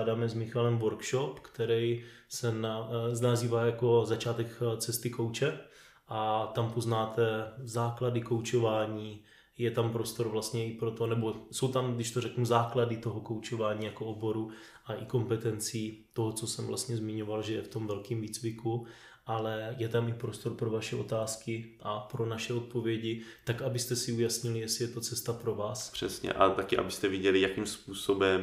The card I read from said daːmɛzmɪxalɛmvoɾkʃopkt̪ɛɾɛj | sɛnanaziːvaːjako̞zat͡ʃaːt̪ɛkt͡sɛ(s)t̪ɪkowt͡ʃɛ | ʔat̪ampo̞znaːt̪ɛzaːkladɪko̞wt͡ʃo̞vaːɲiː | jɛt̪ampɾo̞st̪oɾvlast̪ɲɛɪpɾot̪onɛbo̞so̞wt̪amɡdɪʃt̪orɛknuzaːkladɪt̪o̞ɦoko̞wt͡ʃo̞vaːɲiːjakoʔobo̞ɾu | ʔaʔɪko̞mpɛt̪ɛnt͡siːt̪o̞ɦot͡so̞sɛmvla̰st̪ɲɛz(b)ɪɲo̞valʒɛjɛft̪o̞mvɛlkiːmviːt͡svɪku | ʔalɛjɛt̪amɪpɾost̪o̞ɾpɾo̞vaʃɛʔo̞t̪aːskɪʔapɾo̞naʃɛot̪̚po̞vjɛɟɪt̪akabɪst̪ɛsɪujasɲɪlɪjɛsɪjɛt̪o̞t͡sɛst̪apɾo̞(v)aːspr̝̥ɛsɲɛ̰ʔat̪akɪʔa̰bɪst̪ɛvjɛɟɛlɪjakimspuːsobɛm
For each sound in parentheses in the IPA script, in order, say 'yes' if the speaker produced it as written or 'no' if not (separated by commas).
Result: yes, no, yes